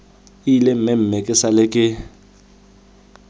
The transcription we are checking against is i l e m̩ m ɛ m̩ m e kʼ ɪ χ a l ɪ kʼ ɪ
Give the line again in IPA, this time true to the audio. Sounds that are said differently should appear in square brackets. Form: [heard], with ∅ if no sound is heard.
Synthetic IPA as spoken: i l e m̩ m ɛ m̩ m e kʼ ɪ [s] a l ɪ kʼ ɪ